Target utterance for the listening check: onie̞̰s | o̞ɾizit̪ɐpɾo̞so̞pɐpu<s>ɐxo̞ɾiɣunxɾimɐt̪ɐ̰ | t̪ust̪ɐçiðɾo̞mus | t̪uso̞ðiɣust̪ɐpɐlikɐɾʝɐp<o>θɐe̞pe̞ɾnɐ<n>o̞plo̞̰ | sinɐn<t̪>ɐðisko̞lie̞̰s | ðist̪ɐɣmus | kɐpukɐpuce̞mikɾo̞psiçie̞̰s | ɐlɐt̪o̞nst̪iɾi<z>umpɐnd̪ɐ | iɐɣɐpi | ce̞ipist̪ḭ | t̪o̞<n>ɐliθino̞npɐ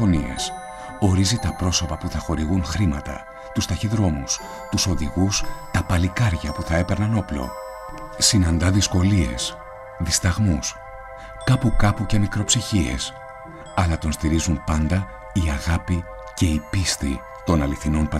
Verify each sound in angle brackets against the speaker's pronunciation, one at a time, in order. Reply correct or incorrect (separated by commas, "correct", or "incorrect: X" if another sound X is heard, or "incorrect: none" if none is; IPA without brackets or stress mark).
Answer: incorrect: θ, incorrect: u, correct, incorrect: d̪, correct, correct